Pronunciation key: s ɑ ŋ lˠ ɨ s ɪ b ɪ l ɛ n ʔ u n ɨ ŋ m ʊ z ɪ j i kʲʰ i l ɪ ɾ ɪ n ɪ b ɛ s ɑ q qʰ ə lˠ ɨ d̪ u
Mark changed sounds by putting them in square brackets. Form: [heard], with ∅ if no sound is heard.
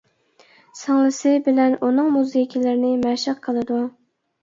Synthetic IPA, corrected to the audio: s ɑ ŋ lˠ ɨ s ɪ b ɪ l ɛ n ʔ u n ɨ ŋ m [u] z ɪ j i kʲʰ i l ɪ ɾ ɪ n ɪ [m] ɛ [ʃ] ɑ q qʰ ə lˠ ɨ d̪ u